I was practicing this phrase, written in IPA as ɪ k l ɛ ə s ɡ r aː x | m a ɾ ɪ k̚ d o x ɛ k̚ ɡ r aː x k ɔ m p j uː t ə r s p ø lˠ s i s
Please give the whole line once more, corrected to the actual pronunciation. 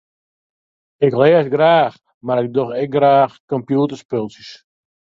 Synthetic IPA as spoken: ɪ k l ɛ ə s ɡ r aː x | m a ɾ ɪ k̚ d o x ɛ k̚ ɡ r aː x k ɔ m p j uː t ə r s p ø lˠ s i s